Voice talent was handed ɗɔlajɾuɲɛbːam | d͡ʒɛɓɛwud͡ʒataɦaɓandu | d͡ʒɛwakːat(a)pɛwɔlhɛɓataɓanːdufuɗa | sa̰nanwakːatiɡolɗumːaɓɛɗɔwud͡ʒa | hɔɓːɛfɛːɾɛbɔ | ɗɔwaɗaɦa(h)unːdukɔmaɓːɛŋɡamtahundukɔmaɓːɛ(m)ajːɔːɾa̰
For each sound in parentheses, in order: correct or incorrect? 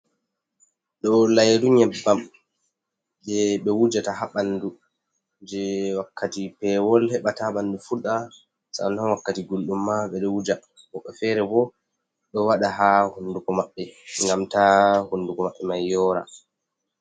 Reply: incorrect, correct, correct

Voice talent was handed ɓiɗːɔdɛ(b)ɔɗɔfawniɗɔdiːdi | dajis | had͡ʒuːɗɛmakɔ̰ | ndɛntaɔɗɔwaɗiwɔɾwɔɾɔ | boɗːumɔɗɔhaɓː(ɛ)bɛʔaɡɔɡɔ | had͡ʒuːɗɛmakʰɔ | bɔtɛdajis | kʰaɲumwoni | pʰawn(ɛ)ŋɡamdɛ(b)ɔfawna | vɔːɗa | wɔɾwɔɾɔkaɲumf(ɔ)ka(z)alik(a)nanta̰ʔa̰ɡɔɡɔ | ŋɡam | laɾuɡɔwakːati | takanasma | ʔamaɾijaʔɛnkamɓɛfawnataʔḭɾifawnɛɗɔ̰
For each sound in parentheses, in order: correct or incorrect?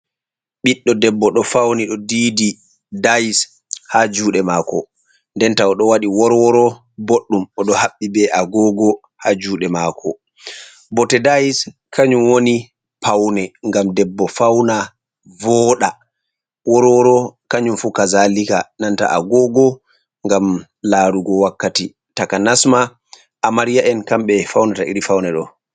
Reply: incorrect, incorrect, correct, incorrect, incorrect, correct, correct

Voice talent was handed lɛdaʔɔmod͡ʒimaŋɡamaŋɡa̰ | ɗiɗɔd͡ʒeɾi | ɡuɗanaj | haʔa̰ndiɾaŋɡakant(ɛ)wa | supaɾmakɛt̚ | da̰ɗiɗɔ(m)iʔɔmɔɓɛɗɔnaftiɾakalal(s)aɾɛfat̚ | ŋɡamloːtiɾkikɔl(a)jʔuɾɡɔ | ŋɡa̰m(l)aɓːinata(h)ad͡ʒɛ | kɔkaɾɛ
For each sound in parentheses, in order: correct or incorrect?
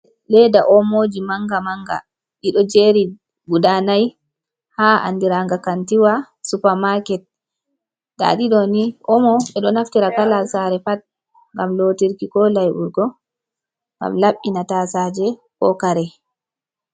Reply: incorrect, incorrect, correct, correct, correct, incorrect

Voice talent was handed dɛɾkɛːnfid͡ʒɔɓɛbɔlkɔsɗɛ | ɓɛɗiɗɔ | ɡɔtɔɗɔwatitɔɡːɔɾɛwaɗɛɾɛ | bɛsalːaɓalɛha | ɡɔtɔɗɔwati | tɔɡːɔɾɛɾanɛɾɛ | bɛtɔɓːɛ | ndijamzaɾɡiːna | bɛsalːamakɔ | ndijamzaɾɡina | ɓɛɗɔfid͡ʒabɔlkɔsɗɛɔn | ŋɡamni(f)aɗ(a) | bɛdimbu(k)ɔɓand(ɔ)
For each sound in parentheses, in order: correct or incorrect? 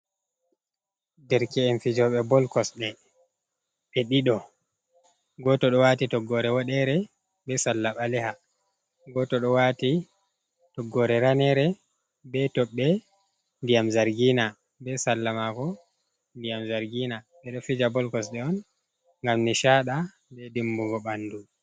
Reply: incorrect, correct, incorrect, incorrect

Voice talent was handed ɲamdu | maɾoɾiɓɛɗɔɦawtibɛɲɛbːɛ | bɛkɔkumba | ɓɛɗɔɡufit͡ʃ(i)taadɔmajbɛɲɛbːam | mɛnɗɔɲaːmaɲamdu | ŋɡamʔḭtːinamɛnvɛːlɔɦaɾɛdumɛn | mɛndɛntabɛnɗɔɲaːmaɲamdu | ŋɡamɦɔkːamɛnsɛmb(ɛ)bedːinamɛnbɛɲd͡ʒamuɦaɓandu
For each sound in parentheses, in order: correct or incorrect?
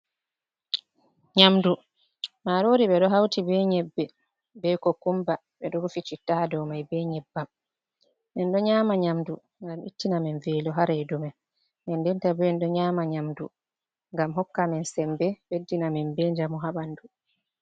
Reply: correct, correct

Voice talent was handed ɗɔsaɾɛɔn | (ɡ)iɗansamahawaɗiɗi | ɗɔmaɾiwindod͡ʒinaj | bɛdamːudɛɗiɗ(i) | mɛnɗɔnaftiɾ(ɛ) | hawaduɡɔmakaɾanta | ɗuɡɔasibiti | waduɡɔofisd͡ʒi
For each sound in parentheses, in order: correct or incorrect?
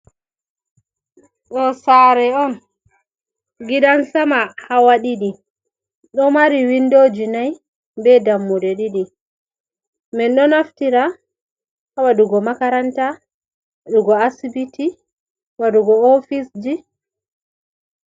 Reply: correct, correct, incorrect

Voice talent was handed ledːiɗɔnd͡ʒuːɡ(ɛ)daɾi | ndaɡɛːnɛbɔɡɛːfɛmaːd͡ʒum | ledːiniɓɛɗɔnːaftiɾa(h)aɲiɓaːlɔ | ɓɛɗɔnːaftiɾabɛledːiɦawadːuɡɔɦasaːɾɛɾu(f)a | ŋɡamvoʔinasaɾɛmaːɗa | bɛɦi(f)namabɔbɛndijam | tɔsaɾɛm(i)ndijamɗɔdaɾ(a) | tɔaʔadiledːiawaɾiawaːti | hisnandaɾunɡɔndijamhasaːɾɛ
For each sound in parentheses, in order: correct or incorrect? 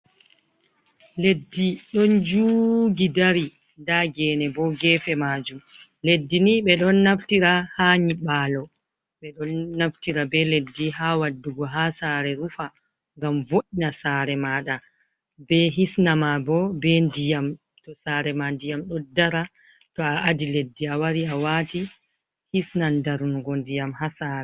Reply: incorrect, correct, correct, incorrect, incorrect, correct

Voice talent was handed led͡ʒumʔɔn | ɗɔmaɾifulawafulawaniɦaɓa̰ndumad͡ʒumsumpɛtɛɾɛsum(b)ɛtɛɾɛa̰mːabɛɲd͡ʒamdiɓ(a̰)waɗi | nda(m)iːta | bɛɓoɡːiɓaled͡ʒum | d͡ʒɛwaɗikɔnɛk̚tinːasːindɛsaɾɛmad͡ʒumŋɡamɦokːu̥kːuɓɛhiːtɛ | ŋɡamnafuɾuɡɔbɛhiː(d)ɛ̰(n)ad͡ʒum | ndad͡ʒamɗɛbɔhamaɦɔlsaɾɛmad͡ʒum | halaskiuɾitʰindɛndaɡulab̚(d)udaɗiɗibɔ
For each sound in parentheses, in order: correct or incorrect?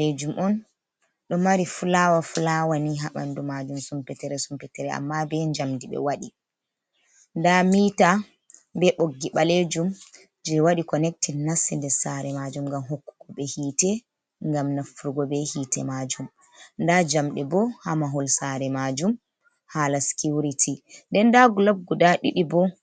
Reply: incorrect, incorrect, correct, incorrect, incorrect, incorrect

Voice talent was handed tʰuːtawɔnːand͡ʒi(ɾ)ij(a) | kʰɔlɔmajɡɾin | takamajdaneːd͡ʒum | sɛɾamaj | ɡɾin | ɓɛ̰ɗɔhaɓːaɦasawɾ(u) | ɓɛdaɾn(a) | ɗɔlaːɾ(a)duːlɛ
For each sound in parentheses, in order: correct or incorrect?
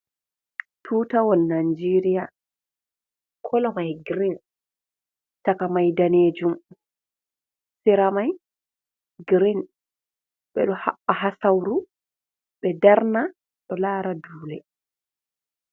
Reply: correct, correct, correct, correct, correct

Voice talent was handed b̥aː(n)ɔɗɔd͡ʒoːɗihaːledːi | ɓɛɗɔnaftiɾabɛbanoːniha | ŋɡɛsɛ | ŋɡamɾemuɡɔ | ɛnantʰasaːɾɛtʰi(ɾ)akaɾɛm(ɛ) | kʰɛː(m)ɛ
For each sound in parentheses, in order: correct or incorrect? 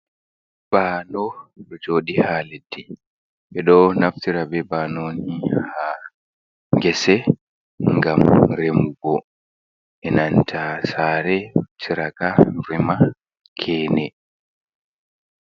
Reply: correct, correct, incorrect, incorrect

